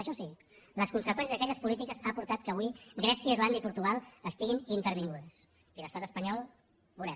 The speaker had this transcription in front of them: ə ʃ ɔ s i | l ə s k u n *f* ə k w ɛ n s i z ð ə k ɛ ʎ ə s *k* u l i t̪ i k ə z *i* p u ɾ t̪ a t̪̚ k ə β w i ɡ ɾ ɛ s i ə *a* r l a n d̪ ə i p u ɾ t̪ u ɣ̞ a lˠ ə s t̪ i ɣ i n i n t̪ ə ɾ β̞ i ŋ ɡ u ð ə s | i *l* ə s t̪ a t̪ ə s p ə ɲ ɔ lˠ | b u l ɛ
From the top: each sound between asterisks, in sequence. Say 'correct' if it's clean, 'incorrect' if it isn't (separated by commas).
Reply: incorrect, incorrect, incorrect, incorrect, correct